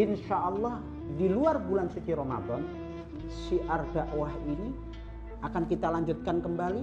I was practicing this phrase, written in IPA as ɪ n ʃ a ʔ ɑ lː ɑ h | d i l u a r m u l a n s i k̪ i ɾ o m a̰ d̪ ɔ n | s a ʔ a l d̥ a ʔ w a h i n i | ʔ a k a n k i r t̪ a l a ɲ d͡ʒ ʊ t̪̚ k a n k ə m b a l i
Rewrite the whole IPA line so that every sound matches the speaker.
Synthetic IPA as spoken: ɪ n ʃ a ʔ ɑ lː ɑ h | d i l u a r b u l a n s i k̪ i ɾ o m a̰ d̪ ɔ n | s i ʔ a r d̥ a ʔ w a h i n i | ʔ a k a n k i t̪ a l a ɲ d͡ʒ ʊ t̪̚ k a n k ə m b a l i